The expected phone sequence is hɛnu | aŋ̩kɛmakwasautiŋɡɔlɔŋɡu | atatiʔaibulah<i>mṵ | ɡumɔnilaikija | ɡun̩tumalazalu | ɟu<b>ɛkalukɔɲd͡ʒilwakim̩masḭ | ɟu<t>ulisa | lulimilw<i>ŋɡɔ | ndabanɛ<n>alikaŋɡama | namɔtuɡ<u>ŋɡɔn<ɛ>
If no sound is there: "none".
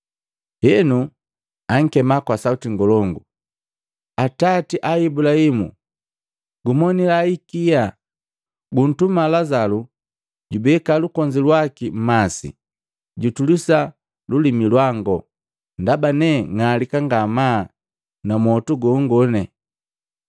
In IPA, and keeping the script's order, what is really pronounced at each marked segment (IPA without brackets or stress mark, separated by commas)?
i, b, t, a, ŋ, ɔ, ɛ